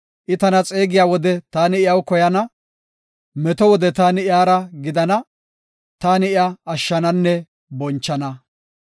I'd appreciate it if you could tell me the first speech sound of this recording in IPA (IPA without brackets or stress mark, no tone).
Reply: ʔ